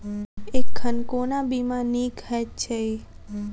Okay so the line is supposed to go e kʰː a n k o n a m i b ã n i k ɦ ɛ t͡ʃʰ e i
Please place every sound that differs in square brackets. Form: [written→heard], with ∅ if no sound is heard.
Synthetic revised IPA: e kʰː [a→ə] n k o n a [m→b] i [b→m] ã n i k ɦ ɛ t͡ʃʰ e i